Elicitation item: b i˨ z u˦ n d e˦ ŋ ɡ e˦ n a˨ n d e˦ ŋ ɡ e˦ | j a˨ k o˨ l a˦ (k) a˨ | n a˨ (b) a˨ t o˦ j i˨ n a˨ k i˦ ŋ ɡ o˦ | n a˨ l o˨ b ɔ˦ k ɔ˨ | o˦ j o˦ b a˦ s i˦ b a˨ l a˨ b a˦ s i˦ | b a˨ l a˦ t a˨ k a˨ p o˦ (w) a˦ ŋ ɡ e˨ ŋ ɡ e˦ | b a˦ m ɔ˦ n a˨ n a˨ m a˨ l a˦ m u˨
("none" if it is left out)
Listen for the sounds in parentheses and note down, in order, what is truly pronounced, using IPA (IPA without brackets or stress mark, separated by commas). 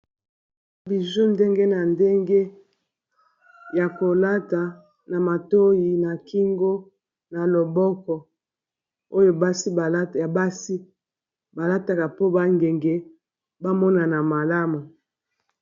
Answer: t, m, b